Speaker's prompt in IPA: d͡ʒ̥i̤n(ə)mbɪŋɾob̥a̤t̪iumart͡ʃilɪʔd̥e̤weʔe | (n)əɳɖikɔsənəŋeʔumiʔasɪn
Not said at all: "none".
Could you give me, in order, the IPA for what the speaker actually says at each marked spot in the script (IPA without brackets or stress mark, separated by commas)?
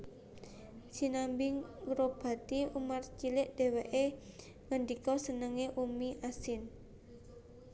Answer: a, ŋ